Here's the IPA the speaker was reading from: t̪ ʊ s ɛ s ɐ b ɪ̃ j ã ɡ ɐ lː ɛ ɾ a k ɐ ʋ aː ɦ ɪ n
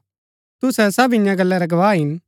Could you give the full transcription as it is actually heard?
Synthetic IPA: t̪ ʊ s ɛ s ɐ b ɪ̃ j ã ɡ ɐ lː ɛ ɾ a ɡ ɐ ʋ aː ɦ ɪ n